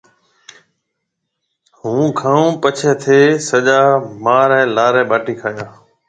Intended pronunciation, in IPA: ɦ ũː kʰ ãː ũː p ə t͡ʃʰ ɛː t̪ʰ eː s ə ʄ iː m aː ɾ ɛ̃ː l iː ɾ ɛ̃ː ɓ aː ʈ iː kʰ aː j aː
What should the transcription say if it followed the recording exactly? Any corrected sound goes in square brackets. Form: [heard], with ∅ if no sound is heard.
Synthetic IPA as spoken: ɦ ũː kʰ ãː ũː p ə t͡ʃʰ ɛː t̪ʰ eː s ə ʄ [aː] m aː ɾ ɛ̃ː l [aː] ɾ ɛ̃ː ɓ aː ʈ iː kʰ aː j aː

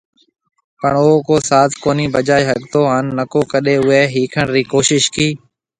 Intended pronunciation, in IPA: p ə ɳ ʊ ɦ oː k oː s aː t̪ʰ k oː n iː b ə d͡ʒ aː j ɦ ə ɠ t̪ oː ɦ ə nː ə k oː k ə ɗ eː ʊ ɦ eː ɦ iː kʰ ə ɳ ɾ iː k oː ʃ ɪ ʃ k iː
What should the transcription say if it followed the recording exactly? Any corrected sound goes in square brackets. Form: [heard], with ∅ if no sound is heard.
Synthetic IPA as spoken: p ə ɳ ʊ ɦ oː k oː s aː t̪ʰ k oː n iː b ə d͡ʒ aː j ɦ ə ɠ t̪ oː ɦ ə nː ə k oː k ə ɗ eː ʊ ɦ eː ɦ iː kʰ ə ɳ ɾ iː k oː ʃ ɪ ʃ k iː

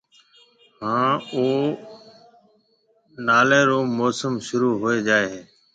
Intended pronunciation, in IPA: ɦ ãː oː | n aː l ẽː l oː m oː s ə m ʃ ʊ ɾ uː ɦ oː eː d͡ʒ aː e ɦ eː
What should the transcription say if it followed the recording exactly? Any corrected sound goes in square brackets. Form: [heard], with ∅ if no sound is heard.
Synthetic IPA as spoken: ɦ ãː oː | n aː l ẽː [ɾ] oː m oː s ə m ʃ ʊ ɾ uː ɦ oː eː d͡ʒ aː e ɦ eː

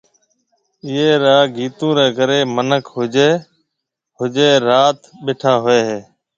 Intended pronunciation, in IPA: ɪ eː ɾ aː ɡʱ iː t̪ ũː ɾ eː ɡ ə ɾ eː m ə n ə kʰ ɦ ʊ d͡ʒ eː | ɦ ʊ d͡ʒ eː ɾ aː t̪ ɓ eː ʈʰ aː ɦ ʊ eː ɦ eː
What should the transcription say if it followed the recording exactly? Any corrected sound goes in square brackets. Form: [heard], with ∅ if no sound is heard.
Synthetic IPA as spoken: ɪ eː ɾ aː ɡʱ iː t̪ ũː ɾ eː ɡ ə ɾ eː m ə n ə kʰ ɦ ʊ d͡ʒ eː | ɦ ʊ d͡ʒ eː ɾ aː t̪ ɓ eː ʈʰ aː ɦ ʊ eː ɦ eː

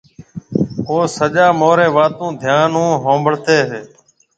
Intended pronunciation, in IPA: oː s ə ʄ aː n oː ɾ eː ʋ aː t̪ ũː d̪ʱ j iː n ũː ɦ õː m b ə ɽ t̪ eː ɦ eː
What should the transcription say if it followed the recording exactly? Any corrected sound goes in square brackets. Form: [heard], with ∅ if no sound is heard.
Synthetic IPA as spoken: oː s ə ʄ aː [m] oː ɾ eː ʋ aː t̪ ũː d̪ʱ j [aː] n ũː ɦ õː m b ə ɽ t̪ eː ɦ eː

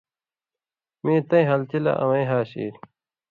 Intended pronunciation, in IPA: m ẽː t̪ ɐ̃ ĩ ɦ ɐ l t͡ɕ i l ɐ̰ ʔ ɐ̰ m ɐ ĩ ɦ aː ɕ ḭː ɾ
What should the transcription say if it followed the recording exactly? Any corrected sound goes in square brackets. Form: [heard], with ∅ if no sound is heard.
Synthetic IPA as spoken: m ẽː t̪ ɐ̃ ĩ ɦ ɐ l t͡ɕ i l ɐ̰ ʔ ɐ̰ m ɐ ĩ ɦ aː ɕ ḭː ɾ

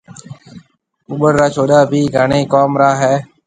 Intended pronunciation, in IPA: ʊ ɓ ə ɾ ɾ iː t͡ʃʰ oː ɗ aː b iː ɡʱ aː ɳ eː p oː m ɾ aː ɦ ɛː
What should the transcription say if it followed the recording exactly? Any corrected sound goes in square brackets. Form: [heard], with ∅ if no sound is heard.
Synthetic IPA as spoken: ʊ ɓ ə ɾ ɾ [aː] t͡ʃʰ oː ɗ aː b iː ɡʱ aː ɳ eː [k] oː m ɾ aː ɦ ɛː

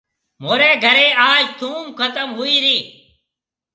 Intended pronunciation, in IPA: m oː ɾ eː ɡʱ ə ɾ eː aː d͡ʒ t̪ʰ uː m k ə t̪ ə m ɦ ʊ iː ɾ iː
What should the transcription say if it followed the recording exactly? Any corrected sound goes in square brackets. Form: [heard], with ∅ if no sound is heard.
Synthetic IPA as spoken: m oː ɾ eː ɡʱ ə ɾ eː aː d͡ʒ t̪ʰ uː m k ə t̪ ə m ɦ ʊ iː ɾ iː

